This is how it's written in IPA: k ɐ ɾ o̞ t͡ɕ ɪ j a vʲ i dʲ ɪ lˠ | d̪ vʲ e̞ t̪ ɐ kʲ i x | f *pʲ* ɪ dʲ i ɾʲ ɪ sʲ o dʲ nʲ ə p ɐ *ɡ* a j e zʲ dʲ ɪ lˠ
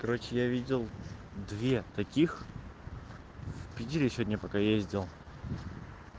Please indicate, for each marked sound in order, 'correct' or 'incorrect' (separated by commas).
correct, incorrect